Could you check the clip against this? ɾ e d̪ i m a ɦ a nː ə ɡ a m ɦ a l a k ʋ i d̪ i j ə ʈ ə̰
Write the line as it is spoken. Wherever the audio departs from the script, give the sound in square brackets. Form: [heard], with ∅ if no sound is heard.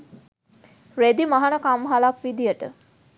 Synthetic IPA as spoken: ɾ e d̪ i m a ɦ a [n] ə [k] a m ɦ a l a k ʋ i d̪ i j ə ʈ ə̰

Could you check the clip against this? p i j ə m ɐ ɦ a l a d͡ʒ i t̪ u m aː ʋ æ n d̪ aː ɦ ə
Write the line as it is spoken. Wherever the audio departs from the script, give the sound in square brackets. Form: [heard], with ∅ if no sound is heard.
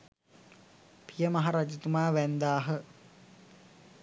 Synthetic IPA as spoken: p i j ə m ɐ ɦ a [ɾ] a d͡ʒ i t̪ u m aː ʋ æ n d̪ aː ɦ ə

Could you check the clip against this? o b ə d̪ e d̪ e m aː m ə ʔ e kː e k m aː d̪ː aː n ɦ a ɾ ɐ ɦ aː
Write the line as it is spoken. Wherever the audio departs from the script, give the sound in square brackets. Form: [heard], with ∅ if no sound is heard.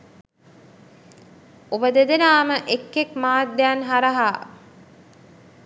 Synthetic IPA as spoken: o b ə d̪ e d̪ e [n] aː m ə ʔ e kː e k m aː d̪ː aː n ɦ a ɾ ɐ ɦ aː

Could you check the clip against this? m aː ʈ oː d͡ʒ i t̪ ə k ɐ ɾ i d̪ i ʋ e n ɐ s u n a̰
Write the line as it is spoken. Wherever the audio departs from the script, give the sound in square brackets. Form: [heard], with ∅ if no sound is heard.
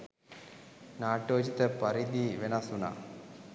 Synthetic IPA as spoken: [n] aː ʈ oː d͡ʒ i t̪ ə [p] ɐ ɾ i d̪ i ʋ e n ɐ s u n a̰

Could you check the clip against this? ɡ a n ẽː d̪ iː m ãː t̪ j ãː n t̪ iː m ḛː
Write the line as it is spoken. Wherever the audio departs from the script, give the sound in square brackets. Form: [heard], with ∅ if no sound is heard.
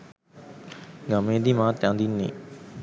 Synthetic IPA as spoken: ɡ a [m] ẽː d̪ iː m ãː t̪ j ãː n [d̪] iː [n] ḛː

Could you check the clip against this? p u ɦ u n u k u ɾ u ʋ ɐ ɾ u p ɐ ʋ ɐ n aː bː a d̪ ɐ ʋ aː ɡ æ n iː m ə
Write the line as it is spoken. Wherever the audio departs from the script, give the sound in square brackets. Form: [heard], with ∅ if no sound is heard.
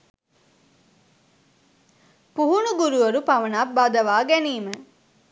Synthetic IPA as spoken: p u ɦ u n u [ɡ] u ɾ u ʋ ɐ ɾ u p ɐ ʋ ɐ n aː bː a d̪ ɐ ʋ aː ɡ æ n iː m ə

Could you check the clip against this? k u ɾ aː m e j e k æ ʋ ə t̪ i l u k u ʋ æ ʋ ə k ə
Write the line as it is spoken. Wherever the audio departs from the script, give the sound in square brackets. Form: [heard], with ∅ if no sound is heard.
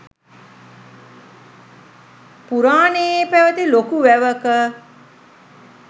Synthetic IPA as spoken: [p] u ɾ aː [n] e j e [p] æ ʋ ə t̪ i l [o] k u ʋ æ ʋ ə k ə

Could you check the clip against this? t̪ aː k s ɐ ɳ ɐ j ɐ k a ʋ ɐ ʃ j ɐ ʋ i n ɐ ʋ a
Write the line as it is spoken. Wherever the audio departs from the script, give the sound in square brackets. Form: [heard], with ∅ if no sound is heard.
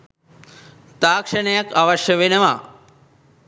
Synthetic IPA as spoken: t̪ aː k [ʂ] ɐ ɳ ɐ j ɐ k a ʋ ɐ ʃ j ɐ ʋ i n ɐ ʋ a

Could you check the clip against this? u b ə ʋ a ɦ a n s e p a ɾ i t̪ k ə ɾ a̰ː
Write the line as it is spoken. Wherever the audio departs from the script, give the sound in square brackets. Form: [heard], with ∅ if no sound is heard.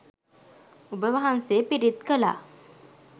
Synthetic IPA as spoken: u b ə ʋ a ɦ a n s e p [i] ɾ i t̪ k ə [l] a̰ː

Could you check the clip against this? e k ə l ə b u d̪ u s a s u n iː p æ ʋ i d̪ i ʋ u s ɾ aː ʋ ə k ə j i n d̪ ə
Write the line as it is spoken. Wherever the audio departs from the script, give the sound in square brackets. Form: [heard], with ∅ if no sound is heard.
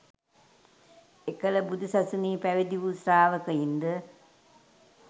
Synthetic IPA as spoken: e k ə l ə b u d̪ u s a s u n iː p æ ʋ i d̪ i ʋ u s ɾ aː ʋ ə k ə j i n d̪ ə

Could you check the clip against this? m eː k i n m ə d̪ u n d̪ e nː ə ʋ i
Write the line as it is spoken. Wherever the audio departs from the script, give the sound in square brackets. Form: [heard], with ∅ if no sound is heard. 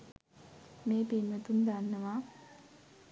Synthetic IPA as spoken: m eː [p] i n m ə [t̪] u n d̪ [a] nː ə ʋ [a]

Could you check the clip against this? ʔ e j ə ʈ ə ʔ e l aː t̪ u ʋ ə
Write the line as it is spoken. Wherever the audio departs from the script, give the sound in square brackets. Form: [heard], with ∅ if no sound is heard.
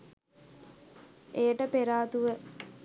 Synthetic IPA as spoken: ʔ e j ə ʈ ə [p] e [ɾ] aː t̪ u ʋ ə

